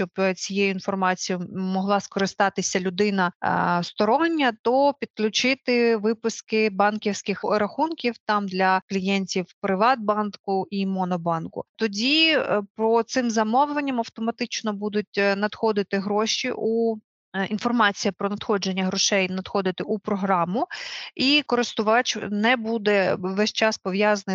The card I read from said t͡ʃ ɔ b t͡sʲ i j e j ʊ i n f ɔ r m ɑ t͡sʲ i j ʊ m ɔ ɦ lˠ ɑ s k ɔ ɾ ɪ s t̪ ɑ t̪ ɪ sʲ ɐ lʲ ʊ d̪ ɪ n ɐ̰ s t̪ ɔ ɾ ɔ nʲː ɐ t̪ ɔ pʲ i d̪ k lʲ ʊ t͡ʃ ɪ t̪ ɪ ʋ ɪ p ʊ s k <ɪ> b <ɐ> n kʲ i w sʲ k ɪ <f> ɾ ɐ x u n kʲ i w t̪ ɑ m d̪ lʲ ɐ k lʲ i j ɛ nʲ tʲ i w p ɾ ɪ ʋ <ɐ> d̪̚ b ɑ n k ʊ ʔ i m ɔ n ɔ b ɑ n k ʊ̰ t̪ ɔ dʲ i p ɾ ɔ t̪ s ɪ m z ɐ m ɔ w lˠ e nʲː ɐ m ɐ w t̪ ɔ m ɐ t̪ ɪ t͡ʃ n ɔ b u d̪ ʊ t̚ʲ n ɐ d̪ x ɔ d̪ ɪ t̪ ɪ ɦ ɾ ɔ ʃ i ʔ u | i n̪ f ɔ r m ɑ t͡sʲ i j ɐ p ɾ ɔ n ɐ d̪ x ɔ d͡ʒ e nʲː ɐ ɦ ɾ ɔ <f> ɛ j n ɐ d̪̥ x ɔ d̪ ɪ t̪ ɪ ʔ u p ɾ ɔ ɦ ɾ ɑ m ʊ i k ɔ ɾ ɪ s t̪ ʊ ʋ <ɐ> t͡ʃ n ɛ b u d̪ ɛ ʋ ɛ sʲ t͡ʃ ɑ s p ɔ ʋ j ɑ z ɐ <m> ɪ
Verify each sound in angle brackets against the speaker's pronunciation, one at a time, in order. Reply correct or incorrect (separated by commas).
correct, incorrect, incorrect, incorrect, incorrect, incorrect, incorrect